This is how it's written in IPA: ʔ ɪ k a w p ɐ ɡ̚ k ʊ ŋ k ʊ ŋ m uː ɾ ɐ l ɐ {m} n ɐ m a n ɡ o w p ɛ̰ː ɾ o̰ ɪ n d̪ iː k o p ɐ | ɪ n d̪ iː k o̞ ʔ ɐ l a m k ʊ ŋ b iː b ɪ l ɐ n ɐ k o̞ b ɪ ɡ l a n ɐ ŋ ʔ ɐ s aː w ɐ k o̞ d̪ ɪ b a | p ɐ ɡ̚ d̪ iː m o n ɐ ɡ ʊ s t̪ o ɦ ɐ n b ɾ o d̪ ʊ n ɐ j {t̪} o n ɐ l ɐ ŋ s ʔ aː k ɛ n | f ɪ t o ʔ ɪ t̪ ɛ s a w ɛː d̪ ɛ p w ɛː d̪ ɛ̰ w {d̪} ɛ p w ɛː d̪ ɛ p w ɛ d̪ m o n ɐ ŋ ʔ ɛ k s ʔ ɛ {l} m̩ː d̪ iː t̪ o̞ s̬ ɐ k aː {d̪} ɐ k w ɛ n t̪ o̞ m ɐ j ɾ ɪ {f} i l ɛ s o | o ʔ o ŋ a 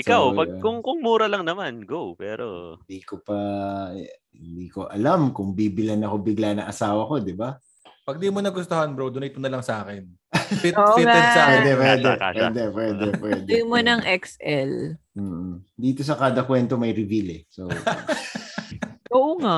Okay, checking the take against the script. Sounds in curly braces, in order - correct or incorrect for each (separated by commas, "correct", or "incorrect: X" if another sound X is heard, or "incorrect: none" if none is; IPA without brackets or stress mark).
incorrect: ŋ, correct, correct, correct, correct, incorrect: v